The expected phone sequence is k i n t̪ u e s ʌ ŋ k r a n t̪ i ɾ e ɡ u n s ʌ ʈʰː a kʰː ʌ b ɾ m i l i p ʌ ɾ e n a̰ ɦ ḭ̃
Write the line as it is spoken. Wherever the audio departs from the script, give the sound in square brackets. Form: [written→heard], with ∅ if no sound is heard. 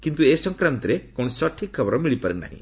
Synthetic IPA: k i n t̪ u e s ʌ ŋ k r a n t̪ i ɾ e [ɡ→k] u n s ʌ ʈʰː [a→i] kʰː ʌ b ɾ m i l i p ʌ ɾ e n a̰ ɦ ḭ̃